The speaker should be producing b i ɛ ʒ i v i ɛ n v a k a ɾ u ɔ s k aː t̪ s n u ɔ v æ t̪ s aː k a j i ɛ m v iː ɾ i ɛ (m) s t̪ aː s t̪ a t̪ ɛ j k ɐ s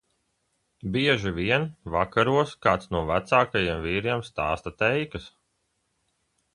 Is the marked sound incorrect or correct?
correct